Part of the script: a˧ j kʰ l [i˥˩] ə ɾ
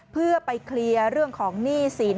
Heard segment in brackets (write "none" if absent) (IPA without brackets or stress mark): i˧